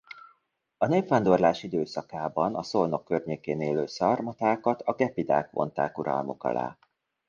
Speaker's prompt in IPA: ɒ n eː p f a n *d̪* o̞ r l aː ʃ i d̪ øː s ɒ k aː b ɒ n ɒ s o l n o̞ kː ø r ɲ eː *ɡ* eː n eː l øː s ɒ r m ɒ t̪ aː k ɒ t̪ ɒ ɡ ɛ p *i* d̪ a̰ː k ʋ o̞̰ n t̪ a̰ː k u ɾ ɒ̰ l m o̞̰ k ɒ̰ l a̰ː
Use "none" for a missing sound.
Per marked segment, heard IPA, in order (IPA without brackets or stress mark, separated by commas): d̪, k, i